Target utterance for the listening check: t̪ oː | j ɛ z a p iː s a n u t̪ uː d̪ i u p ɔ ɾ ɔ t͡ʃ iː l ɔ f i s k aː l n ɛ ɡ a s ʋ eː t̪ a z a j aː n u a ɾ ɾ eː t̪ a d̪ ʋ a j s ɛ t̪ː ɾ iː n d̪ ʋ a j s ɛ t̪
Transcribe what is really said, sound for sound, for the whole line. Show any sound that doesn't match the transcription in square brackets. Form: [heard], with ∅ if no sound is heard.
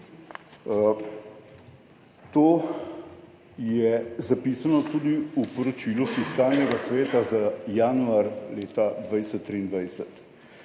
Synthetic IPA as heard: t̪ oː | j ɛ z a p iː s a n [ɔ] t̪ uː d̪ i u p ɔ ɾ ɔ t͡ʃ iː l [u] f i s k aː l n ɛ ɡ a s ʋ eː t̪ a z a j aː n u a ɾ [l] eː t̪ a d̪ ʋ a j s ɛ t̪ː ɾ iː n d̪ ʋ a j s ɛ t̪

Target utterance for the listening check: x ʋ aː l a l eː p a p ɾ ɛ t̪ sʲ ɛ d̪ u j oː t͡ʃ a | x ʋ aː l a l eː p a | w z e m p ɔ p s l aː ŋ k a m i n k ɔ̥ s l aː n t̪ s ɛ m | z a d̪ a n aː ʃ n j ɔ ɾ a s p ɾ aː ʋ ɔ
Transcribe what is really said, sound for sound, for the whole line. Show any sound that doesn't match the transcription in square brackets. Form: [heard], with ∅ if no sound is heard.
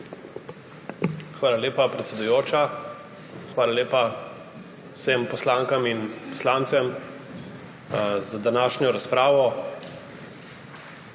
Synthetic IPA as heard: x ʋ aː l a l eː p a p ɾ ɛ t̪ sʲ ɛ d̪ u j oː t͡ʃ a | x ʋ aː l a l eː p a | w [s] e m p ɔ [∅] s l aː ŋ k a m i n [p] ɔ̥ s l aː n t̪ s ɛ m | z a d̪ a n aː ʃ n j ɔ ɾ a s p ɾ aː ʋ ɔ

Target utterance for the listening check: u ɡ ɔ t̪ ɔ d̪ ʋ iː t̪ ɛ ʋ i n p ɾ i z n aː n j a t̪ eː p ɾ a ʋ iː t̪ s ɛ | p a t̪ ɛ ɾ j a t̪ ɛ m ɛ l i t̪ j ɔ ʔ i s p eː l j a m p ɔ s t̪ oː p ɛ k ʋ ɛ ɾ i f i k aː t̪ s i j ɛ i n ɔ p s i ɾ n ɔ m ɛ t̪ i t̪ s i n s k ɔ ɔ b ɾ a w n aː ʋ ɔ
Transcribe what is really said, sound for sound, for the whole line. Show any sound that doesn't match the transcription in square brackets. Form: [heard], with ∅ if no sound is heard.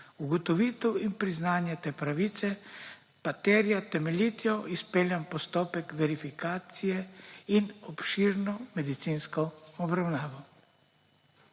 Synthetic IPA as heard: u ɡ ɔ t̪ ɔ [∅] ʋ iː t̪ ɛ [w] i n p ɾ i z n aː n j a t̪ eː p ɾ a ʋ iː t̪ s ɛ | p a t̪ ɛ ɾ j a t̪ ɛ m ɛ l i t̪ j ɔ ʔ i s p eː l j a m p ɔ s t̪ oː p ɛ k ʋ ɛ ɾ i f i k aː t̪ s i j ɛ i n ɔ p [ʃ] i ɾ n ɔ m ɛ [d̪] i t̪ s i n s k ɔ ɔ b ɾ a w n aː ʋ ɔ

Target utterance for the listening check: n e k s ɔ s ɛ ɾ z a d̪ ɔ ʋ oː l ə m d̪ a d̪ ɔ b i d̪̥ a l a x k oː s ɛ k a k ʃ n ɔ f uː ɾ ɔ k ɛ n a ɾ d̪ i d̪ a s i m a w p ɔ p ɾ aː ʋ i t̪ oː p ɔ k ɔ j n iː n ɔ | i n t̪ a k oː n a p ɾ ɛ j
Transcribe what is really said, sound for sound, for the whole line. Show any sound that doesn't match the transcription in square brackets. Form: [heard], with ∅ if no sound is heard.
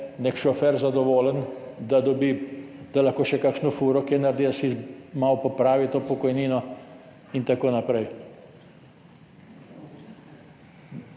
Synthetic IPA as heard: n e k [ʃ] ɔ [f] ɛ ɾ z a d̪ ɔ ʋ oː l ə [n] d̪ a d̪ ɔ b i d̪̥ a l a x k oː [ʃ] ɛ k a k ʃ n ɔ f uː ɾ ɔ k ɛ n a ɾ d̪ i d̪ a s i m a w p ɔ p ɾ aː ʋ i t̪ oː p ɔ k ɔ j n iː n ɔ | i n t̪ a k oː n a p ɾ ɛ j

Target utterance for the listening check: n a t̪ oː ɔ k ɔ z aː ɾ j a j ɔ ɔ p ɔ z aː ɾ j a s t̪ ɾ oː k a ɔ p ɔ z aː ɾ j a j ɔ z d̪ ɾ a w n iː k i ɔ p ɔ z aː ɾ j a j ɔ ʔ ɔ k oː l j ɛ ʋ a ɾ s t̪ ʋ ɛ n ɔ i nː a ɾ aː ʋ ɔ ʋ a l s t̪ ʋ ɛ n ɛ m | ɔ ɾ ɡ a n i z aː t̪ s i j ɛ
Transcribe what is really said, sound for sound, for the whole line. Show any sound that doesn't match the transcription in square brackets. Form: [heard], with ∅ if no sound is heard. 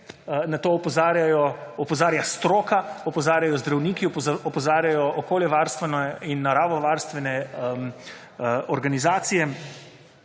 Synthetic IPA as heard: n a t̪ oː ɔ [p] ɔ z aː ɾ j a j ɔ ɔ p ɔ z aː ɾ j a s t̪ ɾ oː k a ɔ p ɔ z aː ɾ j a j ɔ z d̪ ɾ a w n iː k i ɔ p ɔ z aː ɾ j a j ɔ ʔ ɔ k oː l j ɛ ʋ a ɾ s t̪ ʋ ɛ n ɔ i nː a ɾ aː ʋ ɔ ʋ a [ɾ] s t̪ ʋ ɛ n ɛ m | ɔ ɾ ɡ a n i z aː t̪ s i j ɛ

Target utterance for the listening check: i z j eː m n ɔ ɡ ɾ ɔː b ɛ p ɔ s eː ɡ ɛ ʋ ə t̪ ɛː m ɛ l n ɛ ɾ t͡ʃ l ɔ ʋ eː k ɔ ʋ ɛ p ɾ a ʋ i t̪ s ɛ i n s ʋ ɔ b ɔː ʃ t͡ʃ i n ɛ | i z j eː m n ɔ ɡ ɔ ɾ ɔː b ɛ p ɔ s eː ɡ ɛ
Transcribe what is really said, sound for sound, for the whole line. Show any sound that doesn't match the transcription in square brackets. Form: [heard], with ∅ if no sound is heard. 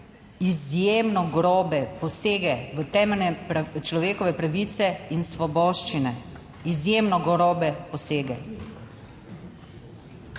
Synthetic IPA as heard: i z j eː m n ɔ ɡ ɾ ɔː b ɛ p ɔ s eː ɡ ɛ ʋ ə t̪ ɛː m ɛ l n ɛ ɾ t͡ʃ l ɔ ʋ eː k ɔ ʋ ɛ p ɾ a ʋ i t̪ s ɛ i n s ʋ ɔ b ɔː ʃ t͡ʃ i n ɛ | i z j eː m n ɔ ɡ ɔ ɾ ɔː b ɛ p ɔ s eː ɡ ɛ

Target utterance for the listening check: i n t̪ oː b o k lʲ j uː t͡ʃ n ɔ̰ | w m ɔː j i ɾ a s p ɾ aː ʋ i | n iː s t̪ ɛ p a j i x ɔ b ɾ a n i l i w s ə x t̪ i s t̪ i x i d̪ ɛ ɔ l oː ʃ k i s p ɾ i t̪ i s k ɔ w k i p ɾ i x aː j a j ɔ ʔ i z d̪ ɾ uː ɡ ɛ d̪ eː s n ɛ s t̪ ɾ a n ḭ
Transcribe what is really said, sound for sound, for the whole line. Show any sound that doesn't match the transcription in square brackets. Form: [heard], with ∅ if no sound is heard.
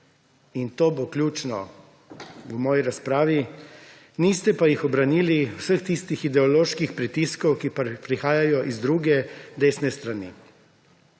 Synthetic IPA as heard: i n t̪ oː b o k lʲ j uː t͡ʃ n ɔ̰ | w m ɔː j i ɾ a s p ɾ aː ʋ i | n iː s t̪ ɛ p a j i x ɔ b ɾ a n i l i w s ə x t̪ i s t̪ i x i d̪ ɛ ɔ l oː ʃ k i [x] p ɾ i t̪ i s k ɔ w k i p ɾ i x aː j a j ɔ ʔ i z d̪ ɾ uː ɡ ɛ d̪ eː s n ɛ s t̪ ɾ a n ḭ

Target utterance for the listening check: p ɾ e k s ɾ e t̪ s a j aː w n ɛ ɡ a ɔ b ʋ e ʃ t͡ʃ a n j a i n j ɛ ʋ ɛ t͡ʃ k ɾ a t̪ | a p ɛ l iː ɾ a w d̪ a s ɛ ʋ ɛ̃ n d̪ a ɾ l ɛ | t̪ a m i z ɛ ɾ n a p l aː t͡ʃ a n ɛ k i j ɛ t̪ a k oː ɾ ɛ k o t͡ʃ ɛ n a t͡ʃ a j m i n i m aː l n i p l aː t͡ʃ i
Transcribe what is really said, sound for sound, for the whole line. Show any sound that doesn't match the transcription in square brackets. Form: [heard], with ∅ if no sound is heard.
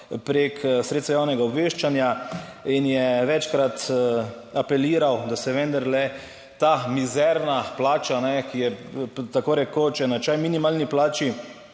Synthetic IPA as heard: p ɾ e k s ɾ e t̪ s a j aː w n ɛ ɡ a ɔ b ʋ e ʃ t͡ʃ a n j a i n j ɛ ʋ ɛ t͡ʃ k ɾ a t̪ | a p ɛ l iː ɾ a w d̪ a s ɛ ʋ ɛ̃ n d̪ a ɾ l ɛ | t̪ a m i z ɛ ɾ n a p l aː t͡ʃ a n ɛ k i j ɛ t̪ a k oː ɾ ɛ k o t͡ʃ ɛ n a t͡ʃ a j m i n i m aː l n i p l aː t͡ʃ i

